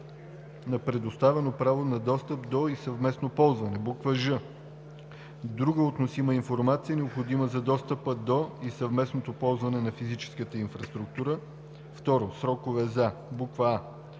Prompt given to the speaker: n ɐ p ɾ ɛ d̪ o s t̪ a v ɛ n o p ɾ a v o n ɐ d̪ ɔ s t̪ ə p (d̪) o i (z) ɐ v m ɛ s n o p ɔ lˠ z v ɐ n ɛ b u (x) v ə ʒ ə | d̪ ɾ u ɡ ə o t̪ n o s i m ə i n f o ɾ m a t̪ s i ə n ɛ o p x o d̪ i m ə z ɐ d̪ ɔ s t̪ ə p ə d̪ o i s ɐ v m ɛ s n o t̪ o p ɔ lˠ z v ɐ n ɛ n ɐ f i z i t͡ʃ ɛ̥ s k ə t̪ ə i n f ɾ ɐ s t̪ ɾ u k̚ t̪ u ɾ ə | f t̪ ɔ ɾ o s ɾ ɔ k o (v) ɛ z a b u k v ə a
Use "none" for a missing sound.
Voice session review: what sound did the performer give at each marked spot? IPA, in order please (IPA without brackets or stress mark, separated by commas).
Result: d̪, s, k, v